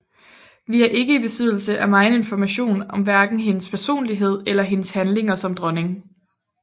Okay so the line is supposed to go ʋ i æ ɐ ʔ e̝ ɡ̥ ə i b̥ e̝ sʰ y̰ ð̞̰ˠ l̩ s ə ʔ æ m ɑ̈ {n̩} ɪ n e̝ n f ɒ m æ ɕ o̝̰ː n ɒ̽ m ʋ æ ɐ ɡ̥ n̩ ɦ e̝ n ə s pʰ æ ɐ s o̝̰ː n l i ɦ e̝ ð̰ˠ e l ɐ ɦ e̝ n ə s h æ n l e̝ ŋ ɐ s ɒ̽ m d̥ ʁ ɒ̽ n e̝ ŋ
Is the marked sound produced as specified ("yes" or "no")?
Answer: no